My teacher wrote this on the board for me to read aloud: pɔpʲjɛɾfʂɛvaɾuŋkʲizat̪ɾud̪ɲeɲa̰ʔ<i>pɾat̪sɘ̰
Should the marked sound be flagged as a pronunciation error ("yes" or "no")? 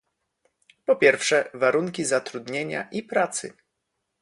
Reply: no